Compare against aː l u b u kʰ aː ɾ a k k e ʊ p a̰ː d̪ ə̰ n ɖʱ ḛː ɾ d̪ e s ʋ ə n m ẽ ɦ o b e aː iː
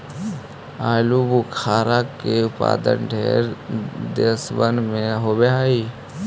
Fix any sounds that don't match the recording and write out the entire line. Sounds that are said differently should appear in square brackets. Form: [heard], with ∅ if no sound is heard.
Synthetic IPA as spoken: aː l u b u kʰ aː ɾ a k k e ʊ p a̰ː d̪ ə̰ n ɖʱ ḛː ɾ d̪ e s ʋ ə n m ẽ ɦ o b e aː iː